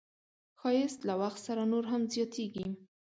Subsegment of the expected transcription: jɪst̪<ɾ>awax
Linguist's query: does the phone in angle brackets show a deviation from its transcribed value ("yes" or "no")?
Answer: yes